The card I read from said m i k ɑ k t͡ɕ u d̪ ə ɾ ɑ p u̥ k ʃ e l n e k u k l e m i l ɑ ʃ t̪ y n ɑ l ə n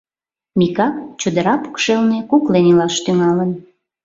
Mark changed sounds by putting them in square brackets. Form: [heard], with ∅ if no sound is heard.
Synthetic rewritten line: m i k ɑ k t͡ɕ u d̪ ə ɾ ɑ p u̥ k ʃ e l n e k u k l e [n] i l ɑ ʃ t̪ y [ŋ] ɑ l ə n